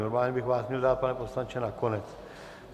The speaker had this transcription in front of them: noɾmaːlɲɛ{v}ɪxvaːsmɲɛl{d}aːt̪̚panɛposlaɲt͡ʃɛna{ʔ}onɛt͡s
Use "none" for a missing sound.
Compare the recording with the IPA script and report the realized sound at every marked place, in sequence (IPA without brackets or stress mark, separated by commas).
b, d, k